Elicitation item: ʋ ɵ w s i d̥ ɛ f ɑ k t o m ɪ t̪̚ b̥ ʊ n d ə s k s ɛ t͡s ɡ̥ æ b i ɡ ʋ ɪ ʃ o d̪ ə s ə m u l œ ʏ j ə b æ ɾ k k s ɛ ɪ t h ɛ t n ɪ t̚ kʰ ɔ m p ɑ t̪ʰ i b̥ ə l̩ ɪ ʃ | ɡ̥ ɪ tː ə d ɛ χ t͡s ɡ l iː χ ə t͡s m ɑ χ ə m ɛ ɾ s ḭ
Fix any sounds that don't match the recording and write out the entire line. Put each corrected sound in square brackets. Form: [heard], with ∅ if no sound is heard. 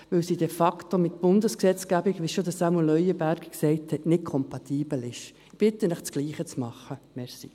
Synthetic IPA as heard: ʋ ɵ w s i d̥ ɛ f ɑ k t o m ɪ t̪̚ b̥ ʊ n d ə s k s ɛ t͡s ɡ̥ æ b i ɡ ʋ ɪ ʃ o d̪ ə s [ɑ] m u l œ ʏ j ə b æ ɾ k k s ɛ ɪ t h ɛ t n ɪ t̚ kʰ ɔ m p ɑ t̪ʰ [iː] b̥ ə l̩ ɪ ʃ | [b̥] ɪ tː ə [n] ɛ χ t͡s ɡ l iː χ ə t͡s m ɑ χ ə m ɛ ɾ s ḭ